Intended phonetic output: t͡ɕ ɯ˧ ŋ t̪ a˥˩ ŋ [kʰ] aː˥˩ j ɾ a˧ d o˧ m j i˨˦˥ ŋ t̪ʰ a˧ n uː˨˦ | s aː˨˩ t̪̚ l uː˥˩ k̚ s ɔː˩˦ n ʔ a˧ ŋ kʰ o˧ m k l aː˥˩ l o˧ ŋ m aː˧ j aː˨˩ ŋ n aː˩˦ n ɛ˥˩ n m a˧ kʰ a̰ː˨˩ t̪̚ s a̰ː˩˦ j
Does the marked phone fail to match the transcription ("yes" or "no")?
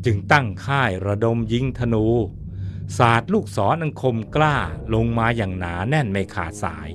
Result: no